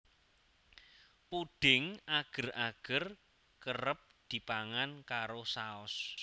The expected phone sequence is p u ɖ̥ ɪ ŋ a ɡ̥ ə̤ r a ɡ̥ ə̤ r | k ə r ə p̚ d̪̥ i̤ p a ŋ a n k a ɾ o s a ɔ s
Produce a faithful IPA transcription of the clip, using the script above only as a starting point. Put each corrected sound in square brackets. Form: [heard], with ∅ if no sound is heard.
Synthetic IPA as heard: p u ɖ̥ ɪ ŋ a ɡ̥ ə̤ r a ɡ̥ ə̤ r | k ə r ə p̚ d̪̥ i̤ p a ŋ a n k a ɾ o s a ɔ s